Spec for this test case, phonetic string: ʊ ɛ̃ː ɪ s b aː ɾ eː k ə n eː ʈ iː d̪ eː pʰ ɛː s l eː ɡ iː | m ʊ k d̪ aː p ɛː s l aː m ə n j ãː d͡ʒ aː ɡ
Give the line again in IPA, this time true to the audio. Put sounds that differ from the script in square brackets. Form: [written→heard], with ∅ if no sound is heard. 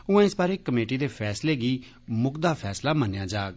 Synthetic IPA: ʊ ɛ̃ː ɪ s b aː ɾ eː k ə [n→m] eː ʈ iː d̪ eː pʰ ɛː s l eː ɡ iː | m ʊ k d̪ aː [p→pʰ] ɛː s l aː m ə n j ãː d͡ʒ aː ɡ